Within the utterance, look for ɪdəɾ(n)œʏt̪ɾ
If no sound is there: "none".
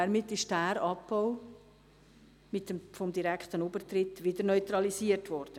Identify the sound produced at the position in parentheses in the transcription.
n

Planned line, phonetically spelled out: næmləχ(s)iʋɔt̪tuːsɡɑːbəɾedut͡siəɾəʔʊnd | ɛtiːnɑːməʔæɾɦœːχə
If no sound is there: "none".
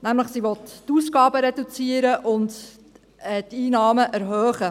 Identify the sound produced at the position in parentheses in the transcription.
s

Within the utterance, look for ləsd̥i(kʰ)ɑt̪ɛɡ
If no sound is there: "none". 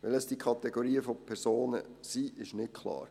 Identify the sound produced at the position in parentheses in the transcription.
kʰ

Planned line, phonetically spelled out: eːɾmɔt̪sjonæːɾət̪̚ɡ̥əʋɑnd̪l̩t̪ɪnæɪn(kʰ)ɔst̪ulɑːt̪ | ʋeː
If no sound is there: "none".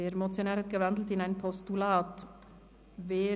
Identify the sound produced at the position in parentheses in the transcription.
pʰ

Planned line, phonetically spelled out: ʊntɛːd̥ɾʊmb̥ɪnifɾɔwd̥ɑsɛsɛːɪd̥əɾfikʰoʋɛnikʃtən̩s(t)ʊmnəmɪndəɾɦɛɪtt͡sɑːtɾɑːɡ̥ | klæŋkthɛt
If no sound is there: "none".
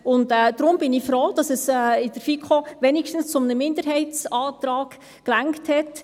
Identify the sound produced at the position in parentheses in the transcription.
t͡s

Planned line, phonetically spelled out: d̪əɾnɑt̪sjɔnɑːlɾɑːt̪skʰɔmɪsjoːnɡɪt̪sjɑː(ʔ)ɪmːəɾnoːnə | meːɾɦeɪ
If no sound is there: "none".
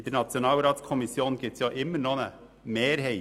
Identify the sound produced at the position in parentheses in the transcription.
ʔ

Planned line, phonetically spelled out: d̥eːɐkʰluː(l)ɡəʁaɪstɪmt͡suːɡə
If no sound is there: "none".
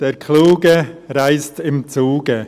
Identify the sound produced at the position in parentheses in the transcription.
none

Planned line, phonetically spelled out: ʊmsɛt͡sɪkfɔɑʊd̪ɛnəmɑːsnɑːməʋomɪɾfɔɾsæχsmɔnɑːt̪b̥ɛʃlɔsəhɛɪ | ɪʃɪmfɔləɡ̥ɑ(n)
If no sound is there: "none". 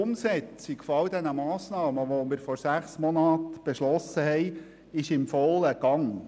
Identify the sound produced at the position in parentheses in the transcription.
ŋ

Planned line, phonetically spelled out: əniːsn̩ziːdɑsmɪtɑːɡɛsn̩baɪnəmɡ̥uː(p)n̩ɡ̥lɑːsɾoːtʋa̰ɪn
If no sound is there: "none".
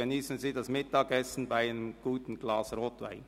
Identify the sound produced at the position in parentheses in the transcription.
t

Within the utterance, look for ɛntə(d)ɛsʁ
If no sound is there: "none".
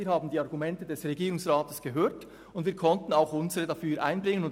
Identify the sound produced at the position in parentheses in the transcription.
d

